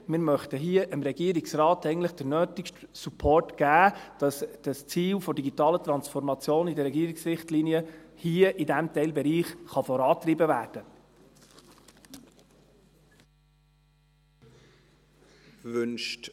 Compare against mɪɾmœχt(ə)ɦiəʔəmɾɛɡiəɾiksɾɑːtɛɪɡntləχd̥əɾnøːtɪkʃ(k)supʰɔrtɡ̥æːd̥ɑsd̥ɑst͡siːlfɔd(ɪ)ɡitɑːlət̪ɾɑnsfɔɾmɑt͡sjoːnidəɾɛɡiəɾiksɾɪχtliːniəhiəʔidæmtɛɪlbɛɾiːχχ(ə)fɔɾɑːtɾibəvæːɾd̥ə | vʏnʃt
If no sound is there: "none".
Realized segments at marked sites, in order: ə, t, i, ɑ

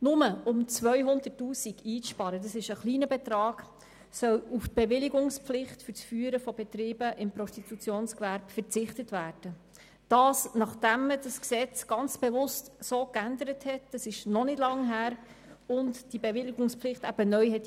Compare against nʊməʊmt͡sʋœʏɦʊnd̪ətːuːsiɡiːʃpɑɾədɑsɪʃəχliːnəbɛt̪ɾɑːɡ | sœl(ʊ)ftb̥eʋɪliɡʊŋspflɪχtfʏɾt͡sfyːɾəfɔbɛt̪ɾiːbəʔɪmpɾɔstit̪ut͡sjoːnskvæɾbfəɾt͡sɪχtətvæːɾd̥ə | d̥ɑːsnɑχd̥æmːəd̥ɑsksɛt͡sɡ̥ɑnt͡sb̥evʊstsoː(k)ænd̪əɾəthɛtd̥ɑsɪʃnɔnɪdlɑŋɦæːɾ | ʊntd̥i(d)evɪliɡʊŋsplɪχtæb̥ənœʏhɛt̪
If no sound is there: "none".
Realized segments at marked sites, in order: u, k, b

